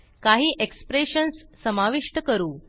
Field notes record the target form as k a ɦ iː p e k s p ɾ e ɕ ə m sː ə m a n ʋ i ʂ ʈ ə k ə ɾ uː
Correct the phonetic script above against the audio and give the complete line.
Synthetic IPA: k a ɦ iː ʔ e k s p ɾ e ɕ ə n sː ə m a ʋ i ʂ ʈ ə k ə ɾ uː

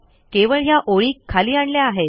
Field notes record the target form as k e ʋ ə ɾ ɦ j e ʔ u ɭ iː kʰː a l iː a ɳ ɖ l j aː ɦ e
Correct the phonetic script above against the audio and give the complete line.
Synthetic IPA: k e ʋ ə ɭ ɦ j a ʔ o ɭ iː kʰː a l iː a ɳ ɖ l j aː ɦ e

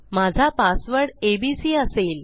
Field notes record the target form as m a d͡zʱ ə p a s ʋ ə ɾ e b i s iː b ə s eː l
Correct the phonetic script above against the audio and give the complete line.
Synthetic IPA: m a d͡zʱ a p a s ʋ ə ɽ e b i s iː ə s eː l

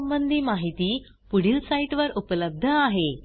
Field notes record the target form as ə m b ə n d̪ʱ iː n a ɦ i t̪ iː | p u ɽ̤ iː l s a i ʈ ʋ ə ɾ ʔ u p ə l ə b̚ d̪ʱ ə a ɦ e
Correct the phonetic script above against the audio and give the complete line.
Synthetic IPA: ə m b ə n d̪ʱ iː m a ɦ i t̪ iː | p u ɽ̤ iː l s a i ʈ ʋ ə ɾ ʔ u p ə l ə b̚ d̪ʱ ə a ɦ e

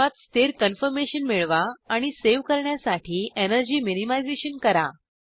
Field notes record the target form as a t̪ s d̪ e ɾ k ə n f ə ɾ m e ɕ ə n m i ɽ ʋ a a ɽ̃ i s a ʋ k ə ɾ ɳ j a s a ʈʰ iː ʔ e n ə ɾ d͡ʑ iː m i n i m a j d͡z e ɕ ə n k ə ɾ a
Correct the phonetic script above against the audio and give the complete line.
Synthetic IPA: a t̪ s t̪ e ɾ k ə n f ə ɾ m e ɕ ə n m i ɭ ʋ a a ɽ̃ i s e ʋ k ə ɾ ɳ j a s a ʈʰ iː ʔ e n ə ɾ d͡ʑ iː m i n i m a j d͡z e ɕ ə n k ə ɾ a

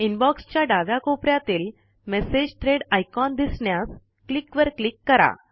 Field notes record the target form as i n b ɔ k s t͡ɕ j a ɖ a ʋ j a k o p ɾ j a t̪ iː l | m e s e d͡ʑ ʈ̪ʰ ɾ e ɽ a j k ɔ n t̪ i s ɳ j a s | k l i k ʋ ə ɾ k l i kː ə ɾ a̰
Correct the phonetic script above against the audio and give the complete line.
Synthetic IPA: i n b ɔ k s t͡ɕ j a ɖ a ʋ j a k o p ɾ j a t̪ iː l | m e s e d͡ʑ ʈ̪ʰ ɾ e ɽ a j k ɔ n d̪ i s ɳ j a s | k l i k ʋ ə ɾ k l i kː ə ɾ a̰

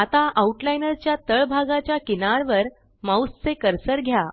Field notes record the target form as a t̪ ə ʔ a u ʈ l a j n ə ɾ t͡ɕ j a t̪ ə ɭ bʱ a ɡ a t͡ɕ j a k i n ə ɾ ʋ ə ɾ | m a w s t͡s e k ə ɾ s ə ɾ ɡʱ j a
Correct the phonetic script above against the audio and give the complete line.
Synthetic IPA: a t̪ a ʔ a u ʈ l a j n ə ɾ t͡ɕ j a t̪ ə ɭ bʱ a ɡ a t͡ɕ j a k i n a ɾ ʋ ə ɾ | m a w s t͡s e k ə ɾ s ə ɾ ɡʱ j a

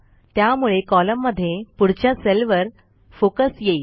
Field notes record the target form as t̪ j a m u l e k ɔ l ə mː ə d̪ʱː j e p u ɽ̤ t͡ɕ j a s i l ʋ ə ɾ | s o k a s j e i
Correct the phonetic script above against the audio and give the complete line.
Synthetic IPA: t̪ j a m u ɭ e k ɔ l ə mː ə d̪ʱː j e p u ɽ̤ t͡ɕ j a s e l ʋ ə ɾ | f o k ə s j e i

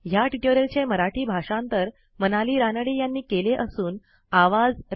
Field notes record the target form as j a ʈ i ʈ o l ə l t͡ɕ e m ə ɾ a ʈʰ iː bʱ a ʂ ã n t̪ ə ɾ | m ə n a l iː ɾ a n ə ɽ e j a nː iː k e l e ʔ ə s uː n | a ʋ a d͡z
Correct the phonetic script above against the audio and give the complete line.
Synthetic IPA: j a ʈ i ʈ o ɾ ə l t͡ɕ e m ə ɾ a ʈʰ iː bʱ a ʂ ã n t̪ ə ɾ | m ə n a l iː ɾ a n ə ɽ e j a nː iː k e l e ʔ ə s uː n | a ʋ a d͡z

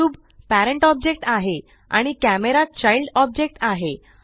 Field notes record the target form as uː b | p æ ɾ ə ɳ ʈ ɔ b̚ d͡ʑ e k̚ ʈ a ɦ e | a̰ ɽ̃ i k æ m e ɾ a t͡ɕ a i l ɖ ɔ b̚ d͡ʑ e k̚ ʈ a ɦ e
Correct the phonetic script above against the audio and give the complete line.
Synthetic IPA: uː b | p æ ɾ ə ɳ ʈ ɔ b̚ d͡ʑ e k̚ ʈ a ɦ e | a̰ ɽ̃ i k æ m e ɾ a t͡ɕ a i l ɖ ɔ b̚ d͡ʑ e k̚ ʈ a ɦ e

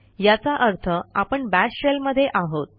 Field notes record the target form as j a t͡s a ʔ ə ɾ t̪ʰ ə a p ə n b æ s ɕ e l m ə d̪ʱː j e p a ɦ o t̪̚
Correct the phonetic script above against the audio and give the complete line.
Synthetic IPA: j a t͡s a ʔ ə ɾ t̪ʰ ə a p ə ɳ b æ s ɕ e l m ə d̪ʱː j e ʔ a ɦ o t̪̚

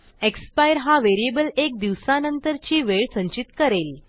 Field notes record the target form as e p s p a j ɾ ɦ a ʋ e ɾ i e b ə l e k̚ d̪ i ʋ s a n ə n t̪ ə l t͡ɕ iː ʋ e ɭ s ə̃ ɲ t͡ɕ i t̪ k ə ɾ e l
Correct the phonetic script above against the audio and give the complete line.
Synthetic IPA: e k s p a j ɾ ɦ a ʋ e ɾ i e b ə l e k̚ d̪ i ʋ s a n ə n t̪ ə ɾ t͡ɕ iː ʋ e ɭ s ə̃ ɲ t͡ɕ i t̪ k ə ɾ e l

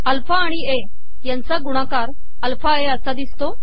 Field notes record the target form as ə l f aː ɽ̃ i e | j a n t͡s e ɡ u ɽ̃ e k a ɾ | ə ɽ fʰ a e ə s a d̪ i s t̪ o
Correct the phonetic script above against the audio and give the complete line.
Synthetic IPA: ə l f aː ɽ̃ i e | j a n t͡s a ɡ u ɽ̃ a k a ɾ | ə l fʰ a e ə s a d̪ i s t̪ o

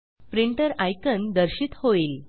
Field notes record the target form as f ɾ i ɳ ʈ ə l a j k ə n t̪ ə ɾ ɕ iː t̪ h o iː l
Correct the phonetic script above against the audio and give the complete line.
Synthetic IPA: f ɾ i ɳ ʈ ə ɾ a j k ə n d̪ ə ɾ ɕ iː t̪ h o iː l

